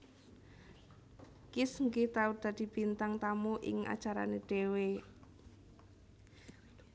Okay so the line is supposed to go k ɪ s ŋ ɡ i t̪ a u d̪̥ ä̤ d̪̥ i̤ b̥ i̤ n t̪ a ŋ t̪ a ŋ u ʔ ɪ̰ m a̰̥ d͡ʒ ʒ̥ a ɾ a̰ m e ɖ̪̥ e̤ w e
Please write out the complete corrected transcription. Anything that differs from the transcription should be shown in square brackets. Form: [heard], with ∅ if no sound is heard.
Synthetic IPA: k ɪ s ŋ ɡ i t̪ a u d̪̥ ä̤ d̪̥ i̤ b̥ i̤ n t̪ a ŋ t̪ a [m] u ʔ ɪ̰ [ŋ] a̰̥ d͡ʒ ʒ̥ a ɾ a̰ [n] e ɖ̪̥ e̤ w e